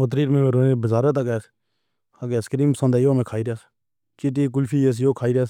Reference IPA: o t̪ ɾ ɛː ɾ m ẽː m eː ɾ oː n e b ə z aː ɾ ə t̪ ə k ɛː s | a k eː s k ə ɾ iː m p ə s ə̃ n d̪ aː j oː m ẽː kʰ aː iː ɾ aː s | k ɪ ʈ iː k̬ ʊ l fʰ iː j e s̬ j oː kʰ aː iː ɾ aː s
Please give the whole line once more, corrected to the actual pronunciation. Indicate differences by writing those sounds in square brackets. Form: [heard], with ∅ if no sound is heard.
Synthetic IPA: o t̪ ɾ [iː] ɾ m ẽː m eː ɾ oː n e b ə z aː ɾ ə t̪ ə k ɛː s | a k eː s k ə ɾ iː m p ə s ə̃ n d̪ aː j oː m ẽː kʰ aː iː ɾ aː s | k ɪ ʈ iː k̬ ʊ l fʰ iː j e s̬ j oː kʰ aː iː ɾ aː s